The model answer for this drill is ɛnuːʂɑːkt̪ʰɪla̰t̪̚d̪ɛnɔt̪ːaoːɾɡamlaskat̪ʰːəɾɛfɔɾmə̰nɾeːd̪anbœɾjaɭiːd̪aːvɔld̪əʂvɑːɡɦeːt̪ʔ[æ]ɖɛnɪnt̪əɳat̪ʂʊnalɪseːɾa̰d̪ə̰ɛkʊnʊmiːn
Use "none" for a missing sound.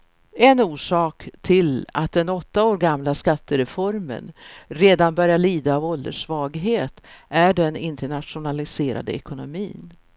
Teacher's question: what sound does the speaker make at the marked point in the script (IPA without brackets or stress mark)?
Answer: æ